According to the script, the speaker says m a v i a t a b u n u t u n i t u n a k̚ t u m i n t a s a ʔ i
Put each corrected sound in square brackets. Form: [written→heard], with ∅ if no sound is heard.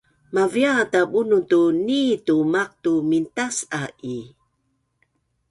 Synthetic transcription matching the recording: m a v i a t a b u n u t u n i t u [n→m] a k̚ t u m i n t a s a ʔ i